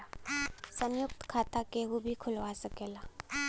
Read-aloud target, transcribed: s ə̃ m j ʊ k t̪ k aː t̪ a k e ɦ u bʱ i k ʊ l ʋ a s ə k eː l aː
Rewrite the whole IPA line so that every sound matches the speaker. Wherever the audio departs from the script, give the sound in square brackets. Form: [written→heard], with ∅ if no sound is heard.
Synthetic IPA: s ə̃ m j ʊ k t̪ [k→kʰ] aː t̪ a k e ɦ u bʱ i [k→kʰ] ʊ l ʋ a s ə k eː l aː